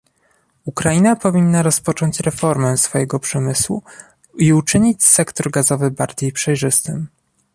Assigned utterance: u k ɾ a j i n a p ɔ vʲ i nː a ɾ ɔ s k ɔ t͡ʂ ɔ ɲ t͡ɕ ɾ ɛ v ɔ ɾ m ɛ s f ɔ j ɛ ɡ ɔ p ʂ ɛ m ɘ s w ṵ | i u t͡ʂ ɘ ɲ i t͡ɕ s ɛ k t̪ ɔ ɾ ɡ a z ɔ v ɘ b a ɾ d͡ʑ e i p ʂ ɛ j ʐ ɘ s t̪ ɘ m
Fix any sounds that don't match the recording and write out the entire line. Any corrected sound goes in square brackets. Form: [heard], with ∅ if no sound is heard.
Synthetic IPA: u k ɾ a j i n a p ɔ vʲ i nː a ɾ ɔ s [p] ɔ t͡ʂ ɔ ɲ t͡ɕ ɾ ɛ [f] ɔ ɾ m ɛ s f ɔ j ɛ ɡ ɔ p ʂ ɛ m ɘ s w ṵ | i u t͡ʂ ɘ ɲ i t͡ɕ s ɛ k t̪ ɔ ɾ ɡ a z ɔ v ɘ b a ɾ d͡ʑ e [j] p ʂ ɛ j ʐ ɘ s t̪ ɘ m